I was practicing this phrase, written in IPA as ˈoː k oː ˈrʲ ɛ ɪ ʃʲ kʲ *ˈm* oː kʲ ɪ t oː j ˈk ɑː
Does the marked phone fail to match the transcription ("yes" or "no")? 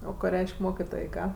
no